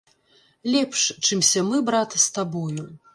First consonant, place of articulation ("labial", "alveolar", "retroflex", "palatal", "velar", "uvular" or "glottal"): alveolar